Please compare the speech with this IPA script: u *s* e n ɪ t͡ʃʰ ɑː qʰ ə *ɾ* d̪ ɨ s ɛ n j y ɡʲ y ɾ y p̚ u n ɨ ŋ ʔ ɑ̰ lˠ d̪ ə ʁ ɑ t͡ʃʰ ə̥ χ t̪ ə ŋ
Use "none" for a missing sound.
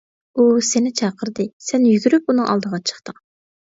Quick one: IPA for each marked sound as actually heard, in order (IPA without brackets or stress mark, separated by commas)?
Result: s, ɾ